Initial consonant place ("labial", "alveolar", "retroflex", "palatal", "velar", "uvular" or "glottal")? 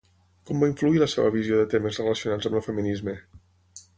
velar